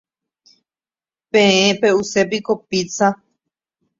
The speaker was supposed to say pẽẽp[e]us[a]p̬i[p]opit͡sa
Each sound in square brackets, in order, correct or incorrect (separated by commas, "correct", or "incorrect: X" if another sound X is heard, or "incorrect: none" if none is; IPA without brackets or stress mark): correct, incorrect: e, incorrect: k